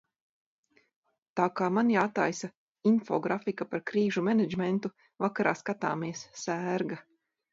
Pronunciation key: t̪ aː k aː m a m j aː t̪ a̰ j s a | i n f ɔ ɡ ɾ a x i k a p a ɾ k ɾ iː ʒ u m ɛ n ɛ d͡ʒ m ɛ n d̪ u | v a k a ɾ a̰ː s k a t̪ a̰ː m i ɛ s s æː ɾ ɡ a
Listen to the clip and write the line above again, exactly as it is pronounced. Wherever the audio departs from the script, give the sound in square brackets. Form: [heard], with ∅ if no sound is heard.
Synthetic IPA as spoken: t̪ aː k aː m a [n] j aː t̪ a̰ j s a | i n f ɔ ɡ ɾ a [f] i k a p a ɾ k ɾ iː ʒ u m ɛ n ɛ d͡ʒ m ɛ n [t̪] u | v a k a ɾ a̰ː s k a t̪ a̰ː m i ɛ s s æː ɾ ɡ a